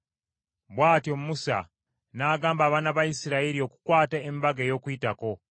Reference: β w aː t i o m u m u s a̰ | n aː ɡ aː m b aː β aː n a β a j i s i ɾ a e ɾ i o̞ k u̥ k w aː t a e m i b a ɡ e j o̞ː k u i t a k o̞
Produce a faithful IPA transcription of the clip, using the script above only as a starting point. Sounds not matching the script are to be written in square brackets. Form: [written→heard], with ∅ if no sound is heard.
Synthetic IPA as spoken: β w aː t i o m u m u s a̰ | n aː ɡ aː m b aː β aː n a β a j i s i ɾ a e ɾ i o̞ k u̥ k w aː t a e m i b a ɡ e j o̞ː k u i t a k o̞

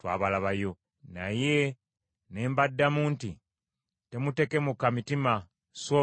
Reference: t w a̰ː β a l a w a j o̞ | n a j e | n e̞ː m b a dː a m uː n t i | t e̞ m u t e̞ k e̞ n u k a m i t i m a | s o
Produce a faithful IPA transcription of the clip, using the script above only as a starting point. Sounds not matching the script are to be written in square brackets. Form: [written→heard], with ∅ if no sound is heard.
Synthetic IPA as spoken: t w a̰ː β a l a [w→β] a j o̞ | n a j e | n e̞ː m b a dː a m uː n t i | t e̞ m u t e̞ k e̞ [n→m] u k a m i t i m a | s o

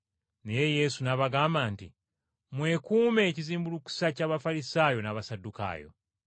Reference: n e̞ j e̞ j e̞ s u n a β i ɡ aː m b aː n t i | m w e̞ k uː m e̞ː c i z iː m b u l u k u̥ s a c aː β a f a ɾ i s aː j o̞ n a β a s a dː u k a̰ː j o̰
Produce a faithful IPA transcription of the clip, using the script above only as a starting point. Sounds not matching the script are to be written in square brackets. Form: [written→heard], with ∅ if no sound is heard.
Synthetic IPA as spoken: n e̞ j e̞ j e̞ s u n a β [i→a] ɡ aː m b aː n t i | m w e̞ k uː m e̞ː c i z iː m b u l u k u̥ s a c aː β a f a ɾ i s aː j o̞ n a β a s a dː u k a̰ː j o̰

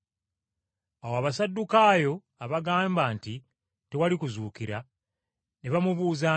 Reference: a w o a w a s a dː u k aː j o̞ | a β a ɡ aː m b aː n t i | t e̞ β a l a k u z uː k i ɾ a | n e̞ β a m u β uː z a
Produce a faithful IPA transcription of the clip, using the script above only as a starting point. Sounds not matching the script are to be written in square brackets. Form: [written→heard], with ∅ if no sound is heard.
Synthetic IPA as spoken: a w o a [w→β] a s a dː u k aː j o̞ | a β a ɡ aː m b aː n t i | t e̞ [β→w] a l [a→i] k u z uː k i ɾ a | n e̞ β a m u β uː z a

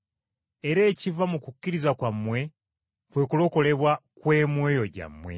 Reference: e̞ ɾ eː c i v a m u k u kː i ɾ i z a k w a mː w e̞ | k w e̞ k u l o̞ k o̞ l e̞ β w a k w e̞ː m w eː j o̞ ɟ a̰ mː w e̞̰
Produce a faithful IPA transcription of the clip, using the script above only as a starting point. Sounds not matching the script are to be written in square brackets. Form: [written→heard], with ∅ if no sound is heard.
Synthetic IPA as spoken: e̞ ɾ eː c i v a m u k u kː i ɾ i z a k w a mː w e̞ | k w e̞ k u l o̞ k o̞ l e̞ β w a k w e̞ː m w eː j o̞ ɟ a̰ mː w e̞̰

